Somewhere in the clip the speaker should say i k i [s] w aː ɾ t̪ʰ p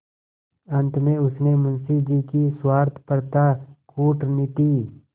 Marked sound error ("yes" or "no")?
no